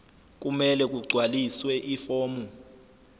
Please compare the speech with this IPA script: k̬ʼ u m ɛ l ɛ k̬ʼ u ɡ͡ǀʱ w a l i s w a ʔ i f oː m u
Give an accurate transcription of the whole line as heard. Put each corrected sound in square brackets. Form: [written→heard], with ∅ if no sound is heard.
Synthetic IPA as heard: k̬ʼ u m ɛ l ɛ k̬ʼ u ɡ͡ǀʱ w a l i s w [a→ɛ] ʔ i f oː m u